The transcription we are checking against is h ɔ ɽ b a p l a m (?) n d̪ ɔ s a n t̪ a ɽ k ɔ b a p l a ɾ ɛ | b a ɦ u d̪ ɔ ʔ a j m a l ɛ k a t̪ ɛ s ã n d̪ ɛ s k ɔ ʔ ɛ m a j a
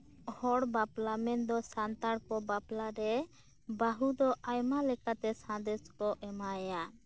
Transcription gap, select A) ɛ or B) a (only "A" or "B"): A